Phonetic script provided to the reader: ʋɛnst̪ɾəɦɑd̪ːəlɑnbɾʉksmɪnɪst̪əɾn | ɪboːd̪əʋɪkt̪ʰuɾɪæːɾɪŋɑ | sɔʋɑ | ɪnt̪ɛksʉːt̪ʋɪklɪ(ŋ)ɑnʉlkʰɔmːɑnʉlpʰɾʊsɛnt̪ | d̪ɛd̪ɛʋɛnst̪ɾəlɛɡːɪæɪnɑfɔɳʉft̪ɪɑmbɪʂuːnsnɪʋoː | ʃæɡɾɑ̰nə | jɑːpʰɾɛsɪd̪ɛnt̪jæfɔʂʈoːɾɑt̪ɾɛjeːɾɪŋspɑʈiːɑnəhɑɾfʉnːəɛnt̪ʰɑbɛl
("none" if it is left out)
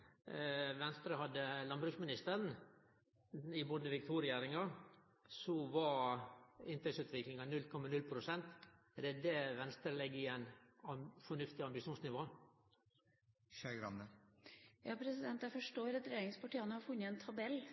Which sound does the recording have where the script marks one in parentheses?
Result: ŋ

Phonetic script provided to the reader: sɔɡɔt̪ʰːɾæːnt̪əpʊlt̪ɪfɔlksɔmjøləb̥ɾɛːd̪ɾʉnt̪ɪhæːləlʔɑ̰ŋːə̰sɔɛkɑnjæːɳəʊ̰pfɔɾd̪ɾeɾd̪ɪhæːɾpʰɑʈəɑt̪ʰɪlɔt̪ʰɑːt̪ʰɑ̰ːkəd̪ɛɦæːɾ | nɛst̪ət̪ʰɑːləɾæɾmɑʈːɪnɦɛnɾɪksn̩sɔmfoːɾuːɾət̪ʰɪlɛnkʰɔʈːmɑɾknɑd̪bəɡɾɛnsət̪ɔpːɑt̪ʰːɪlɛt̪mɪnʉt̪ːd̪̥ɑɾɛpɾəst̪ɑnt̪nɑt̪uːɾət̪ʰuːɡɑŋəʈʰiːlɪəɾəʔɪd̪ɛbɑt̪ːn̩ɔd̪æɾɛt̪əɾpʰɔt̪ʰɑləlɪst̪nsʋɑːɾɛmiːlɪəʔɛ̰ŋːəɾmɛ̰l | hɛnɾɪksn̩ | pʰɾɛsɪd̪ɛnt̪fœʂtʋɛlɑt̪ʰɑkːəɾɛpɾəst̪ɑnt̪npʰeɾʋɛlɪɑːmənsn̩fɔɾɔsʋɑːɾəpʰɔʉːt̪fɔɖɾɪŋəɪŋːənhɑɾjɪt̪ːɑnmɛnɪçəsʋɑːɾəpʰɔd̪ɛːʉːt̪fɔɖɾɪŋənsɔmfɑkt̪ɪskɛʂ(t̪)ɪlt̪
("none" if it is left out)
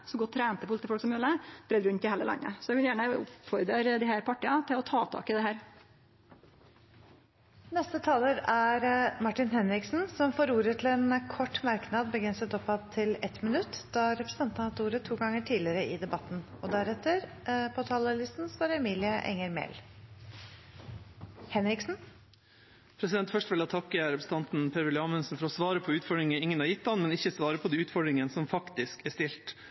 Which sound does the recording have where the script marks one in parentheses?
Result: t̪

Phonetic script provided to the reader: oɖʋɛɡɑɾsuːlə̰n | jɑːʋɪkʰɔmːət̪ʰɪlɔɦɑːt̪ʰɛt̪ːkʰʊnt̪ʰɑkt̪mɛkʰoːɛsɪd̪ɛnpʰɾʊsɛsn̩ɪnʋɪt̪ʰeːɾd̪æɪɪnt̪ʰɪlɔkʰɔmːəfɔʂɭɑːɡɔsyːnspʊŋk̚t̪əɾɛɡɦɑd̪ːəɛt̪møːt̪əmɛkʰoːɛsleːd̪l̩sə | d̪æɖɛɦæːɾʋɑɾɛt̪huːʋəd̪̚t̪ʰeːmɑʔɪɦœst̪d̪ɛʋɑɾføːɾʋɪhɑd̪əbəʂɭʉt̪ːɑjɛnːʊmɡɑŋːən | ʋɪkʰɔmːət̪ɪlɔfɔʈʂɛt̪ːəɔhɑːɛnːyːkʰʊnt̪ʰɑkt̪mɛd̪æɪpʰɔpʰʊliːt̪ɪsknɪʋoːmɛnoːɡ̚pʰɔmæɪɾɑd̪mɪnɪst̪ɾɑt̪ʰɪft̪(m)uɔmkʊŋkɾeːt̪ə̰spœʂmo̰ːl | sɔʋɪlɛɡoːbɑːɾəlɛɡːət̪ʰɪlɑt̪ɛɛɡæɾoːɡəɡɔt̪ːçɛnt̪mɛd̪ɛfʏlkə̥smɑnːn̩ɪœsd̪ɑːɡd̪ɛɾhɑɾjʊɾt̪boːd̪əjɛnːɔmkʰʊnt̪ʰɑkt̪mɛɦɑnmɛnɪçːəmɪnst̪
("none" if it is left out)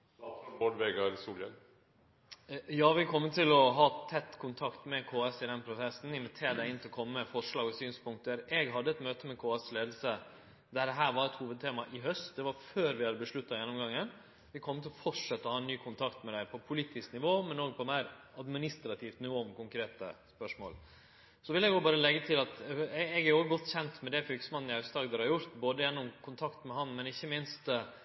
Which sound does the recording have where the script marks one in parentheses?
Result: n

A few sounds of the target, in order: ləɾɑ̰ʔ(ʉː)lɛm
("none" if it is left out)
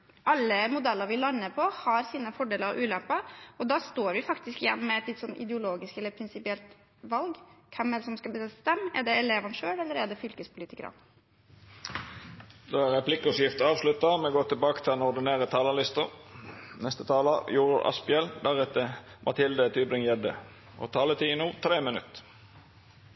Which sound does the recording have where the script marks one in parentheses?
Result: ʉː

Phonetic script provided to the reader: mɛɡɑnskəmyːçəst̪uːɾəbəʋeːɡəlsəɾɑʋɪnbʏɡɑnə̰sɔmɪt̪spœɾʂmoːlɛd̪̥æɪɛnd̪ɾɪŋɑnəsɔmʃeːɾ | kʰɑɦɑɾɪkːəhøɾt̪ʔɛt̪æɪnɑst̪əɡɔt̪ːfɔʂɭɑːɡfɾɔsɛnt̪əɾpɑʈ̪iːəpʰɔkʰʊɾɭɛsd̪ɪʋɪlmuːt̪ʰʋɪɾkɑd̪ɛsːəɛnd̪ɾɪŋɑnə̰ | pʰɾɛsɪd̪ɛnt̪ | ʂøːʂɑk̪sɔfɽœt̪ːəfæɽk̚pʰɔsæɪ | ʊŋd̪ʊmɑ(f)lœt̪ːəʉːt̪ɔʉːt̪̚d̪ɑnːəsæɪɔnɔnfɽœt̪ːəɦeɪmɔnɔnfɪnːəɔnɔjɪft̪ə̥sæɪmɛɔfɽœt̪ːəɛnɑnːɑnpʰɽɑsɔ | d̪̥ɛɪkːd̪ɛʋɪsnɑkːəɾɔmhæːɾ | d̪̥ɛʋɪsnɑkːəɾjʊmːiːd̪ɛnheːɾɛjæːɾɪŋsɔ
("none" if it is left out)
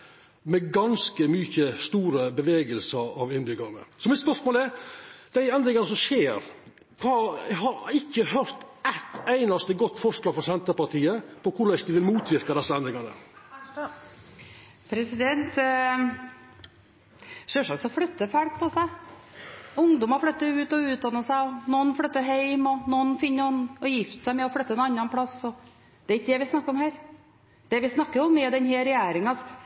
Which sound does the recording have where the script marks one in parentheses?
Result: f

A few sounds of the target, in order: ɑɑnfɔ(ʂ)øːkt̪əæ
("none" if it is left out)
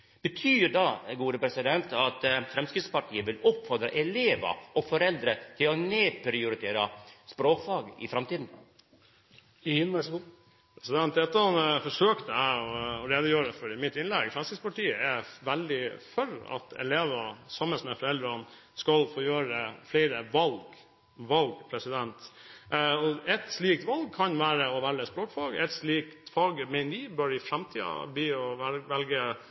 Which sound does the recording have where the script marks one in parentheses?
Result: ʂ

